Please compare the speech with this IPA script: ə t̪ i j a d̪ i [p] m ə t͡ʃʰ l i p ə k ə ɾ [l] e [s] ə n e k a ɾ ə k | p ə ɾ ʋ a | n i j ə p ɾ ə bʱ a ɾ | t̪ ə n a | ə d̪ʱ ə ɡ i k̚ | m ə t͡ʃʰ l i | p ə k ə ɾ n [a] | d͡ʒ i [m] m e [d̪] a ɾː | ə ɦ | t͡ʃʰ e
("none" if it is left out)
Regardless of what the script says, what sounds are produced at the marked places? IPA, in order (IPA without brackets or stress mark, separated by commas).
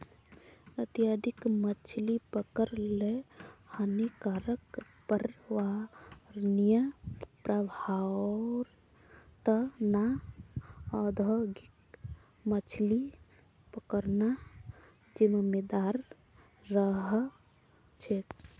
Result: k, l, h, a, m, d̪